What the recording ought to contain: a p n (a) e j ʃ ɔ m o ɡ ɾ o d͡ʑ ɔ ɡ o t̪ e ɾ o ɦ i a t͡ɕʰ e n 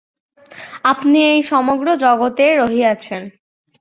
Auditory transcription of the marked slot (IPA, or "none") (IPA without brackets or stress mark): i